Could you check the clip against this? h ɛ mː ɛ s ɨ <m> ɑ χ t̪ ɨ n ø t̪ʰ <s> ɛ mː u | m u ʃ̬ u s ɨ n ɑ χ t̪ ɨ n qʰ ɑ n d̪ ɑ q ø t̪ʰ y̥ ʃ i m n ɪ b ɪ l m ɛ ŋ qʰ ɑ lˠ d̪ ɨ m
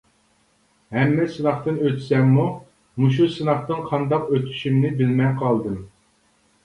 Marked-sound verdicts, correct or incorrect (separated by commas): incorrect, correct